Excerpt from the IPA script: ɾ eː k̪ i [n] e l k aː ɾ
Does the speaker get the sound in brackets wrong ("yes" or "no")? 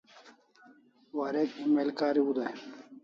yes